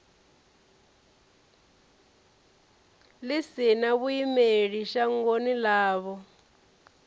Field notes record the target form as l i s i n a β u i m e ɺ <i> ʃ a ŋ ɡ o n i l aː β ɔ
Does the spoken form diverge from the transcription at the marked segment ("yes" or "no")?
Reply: no